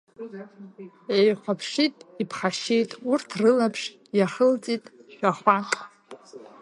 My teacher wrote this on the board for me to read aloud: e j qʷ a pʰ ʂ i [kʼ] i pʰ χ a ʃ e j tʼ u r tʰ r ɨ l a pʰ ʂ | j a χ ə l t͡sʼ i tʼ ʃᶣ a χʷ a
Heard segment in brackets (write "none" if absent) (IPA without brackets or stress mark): tʼ